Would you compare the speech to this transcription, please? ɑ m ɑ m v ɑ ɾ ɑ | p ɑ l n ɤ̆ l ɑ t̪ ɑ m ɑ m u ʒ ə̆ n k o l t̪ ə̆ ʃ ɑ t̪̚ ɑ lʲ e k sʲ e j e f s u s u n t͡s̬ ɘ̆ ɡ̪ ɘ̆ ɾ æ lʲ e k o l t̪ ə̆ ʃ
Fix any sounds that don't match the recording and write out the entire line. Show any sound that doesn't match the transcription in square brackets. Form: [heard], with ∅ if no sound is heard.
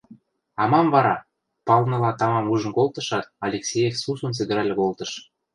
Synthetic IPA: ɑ m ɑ m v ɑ ɾ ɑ | p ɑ l n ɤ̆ l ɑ t̪ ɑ m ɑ m u ʒ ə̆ n k o l t̪ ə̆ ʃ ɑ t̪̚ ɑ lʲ e k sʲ e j e f s u s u n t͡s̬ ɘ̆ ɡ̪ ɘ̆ ɾ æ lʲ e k o l t̪ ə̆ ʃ